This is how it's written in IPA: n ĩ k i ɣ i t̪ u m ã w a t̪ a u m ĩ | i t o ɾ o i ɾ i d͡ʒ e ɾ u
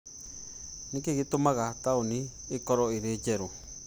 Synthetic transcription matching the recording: n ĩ k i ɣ i t̪ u m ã ɣ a t̪ a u n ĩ | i k o ɾ o i ɾ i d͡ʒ e ɾ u